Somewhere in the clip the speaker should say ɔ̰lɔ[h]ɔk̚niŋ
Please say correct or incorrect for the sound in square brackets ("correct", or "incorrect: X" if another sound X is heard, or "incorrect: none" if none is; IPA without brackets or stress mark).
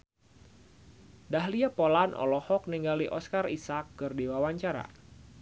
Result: correct